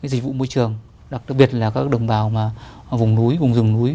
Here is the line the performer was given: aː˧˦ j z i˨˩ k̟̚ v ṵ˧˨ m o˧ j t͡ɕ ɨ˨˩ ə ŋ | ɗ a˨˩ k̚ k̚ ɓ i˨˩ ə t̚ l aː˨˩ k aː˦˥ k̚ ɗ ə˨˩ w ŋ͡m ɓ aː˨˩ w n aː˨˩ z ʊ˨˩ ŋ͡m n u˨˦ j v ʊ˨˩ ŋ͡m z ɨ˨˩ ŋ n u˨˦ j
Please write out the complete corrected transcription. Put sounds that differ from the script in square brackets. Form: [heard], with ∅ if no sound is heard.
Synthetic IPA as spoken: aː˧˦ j z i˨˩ k̟̚ v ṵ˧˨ m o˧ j t͡ɕ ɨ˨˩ ə ŋ | ɗ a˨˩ k̚ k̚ ɓ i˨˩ ə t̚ l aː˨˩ k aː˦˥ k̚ ɗ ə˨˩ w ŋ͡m ɓ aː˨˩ w [m] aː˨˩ [v] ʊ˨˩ ŋ͡m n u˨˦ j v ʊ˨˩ ŋ͡m z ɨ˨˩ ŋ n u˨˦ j